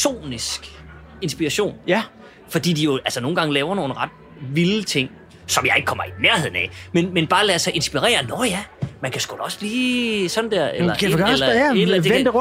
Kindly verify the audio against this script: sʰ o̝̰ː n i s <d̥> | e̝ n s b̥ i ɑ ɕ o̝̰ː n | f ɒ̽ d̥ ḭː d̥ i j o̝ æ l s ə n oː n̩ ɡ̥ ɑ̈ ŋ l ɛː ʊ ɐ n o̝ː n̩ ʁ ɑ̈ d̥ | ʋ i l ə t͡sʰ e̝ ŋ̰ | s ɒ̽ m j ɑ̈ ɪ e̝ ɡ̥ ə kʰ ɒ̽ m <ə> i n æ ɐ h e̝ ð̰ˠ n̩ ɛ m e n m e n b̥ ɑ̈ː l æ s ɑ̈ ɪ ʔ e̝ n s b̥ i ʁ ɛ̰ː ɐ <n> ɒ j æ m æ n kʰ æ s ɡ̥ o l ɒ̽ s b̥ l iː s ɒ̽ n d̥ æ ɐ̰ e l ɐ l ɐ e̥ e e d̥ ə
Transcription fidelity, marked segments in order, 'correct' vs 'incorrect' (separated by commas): incorrect, incorrect, correct